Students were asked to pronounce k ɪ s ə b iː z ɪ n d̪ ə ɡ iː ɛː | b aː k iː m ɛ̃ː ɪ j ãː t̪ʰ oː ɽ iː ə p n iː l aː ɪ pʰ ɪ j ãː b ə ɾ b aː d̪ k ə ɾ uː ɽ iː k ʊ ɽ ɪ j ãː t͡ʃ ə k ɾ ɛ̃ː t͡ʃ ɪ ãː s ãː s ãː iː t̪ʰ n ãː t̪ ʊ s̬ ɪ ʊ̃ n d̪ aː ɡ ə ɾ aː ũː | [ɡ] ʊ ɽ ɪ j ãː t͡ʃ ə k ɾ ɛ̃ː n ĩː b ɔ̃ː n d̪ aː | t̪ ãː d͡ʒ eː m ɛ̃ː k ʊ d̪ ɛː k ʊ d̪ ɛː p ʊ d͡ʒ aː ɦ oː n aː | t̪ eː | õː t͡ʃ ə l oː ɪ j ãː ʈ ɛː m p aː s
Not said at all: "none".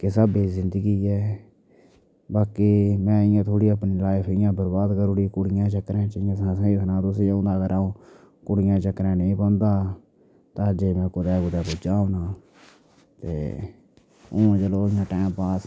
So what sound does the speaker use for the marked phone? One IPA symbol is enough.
k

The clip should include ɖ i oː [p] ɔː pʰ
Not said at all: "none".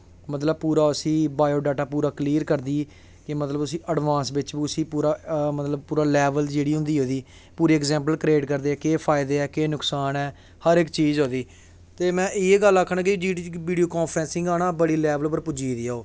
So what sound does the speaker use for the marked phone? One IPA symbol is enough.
k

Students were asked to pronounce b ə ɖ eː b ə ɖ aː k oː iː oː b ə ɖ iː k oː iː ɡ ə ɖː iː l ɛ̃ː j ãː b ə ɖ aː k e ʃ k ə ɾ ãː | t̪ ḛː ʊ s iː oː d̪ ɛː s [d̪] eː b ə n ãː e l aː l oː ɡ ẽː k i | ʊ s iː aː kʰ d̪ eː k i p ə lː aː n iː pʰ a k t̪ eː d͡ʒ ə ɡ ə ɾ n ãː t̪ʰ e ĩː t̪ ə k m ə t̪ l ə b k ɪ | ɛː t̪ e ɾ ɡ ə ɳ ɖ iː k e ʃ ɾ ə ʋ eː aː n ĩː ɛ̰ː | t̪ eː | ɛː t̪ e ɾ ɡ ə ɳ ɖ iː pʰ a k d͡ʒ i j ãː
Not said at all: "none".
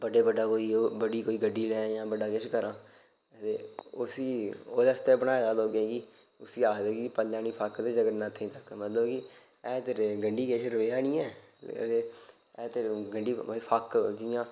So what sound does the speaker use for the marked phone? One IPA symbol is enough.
t̪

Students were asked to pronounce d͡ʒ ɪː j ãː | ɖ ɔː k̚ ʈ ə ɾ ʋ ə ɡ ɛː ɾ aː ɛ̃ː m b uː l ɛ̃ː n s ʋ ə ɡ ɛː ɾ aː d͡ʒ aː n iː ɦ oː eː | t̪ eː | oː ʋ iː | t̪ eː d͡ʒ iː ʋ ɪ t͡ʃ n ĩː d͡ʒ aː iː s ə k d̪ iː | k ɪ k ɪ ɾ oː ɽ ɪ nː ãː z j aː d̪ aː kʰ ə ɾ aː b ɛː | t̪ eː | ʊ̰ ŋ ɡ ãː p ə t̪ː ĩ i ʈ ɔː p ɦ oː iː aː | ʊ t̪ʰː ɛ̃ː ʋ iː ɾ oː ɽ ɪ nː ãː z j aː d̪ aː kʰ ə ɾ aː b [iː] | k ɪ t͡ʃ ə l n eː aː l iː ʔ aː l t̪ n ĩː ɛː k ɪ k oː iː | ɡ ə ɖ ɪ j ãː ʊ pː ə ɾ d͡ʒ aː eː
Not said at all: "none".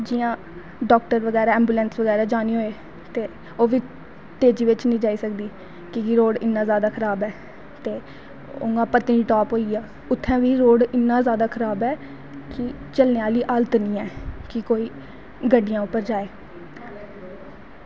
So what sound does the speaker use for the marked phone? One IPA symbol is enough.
ɛː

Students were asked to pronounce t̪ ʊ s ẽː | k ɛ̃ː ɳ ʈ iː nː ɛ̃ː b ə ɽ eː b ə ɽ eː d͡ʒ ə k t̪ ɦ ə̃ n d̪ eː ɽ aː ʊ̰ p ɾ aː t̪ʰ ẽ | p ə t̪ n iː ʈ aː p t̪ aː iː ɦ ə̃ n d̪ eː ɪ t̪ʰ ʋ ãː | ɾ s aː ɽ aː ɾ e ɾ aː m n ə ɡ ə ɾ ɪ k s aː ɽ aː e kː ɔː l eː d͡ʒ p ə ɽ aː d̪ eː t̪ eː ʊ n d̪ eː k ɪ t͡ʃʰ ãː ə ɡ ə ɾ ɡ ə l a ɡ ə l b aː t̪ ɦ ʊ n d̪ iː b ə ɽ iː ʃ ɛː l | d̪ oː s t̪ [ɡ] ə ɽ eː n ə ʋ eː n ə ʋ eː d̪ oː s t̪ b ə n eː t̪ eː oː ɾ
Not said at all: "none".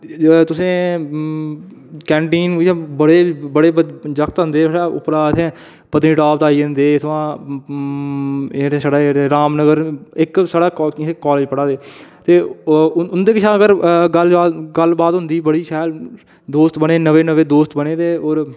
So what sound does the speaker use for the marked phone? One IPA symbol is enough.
b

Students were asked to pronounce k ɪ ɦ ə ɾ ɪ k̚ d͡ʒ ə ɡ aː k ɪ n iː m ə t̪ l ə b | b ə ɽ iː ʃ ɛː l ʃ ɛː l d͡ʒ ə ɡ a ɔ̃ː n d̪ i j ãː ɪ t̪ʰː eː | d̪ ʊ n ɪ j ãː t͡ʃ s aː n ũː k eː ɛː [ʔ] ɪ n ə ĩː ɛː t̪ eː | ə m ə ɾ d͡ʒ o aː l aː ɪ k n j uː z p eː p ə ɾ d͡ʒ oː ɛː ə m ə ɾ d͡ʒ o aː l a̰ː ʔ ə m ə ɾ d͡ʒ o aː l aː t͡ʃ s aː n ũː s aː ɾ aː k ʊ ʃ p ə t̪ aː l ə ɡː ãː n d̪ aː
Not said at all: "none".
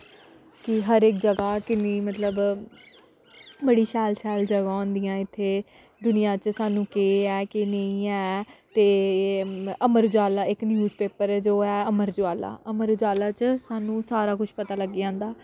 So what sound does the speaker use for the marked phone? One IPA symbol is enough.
k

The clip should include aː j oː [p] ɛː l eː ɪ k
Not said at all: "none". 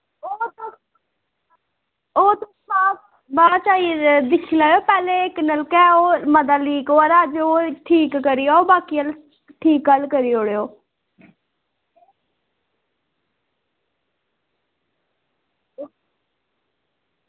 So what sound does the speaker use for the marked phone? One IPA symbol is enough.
p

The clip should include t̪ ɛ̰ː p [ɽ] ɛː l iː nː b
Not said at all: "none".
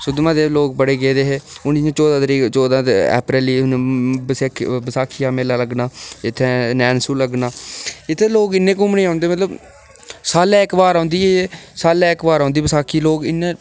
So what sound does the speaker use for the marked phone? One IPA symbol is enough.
ɾ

